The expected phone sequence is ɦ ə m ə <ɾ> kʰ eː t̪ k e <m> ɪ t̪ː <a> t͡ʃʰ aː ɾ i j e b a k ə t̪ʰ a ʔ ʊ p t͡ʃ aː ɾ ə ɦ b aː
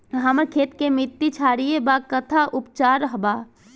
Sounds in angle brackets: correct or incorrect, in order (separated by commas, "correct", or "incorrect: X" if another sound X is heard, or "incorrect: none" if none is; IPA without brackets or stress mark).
correct, correct, incorrect: i